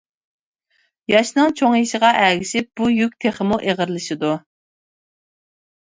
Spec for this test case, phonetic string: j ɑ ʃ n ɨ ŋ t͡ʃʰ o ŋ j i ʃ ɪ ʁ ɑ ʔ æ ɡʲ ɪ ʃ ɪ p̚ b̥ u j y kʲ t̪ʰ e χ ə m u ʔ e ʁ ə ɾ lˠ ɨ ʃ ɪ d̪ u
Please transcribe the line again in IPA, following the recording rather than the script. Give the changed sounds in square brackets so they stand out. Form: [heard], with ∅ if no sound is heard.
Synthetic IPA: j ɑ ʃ n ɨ ŋ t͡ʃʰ o ŋ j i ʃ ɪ ʁ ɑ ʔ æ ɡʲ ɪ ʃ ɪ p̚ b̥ u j y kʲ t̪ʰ e χ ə m u ʔ e ʁ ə ɾ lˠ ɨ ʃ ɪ d̪ u